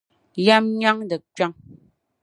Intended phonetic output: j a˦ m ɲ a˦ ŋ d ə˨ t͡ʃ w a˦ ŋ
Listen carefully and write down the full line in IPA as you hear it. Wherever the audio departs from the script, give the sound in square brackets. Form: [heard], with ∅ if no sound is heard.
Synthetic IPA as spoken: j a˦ m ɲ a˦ ŋ d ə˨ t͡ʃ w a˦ ŋ